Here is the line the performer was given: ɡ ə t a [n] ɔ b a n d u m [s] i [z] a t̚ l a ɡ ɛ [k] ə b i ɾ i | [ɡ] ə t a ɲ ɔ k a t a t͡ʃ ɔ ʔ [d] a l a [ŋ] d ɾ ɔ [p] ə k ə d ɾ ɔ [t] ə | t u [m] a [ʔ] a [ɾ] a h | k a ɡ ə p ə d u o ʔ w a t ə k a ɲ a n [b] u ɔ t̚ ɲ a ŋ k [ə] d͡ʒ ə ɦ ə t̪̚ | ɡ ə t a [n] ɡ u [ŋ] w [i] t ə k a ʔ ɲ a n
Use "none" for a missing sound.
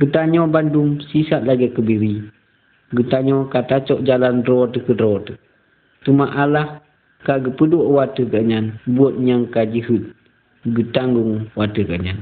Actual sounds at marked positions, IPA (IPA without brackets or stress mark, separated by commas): ɲ, s, s, k, ɡ, d͡ʒ, n, t, t, m, ʔ, l, b, a, ŋ, ŋ, a